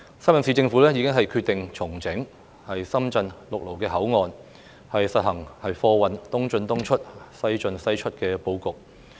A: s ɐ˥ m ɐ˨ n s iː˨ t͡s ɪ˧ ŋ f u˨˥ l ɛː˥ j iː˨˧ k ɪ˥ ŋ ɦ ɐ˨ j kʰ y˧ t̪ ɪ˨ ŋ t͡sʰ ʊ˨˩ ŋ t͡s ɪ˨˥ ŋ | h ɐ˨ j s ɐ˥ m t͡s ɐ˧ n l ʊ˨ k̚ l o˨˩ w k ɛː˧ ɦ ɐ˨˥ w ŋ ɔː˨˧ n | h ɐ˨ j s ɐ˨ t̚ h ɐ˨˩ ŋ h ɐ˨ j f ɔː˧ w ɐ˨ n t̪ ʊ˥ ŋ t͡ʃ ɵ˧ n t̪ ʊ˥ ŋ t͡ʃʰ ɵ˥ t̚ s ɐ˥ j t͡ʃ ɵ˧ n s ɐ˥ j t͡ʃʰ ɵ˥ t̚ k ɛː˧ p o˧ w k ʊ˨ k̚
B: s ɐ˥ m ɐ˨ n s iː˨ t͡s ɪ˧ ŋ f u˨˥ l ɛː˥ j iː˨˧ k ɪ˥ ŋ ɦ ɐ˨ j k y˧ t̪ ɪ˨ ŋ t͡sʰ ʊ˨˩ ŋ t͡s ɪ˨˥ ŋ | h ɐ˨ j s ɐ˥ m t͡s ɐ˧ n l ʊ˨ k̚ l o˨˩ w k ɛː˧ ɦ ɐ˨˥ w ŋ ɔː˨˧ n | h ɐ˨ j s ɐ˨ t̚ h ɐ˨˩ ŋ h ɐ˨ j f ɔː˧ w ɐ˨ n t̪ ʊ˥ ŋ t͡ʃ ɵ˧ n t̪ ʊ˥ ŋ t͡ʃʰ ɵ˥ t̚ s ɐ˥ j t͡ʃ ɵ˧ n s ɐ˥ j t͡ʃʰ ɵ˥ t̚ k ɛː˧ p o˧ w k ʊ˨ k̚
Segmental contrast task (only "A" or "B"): A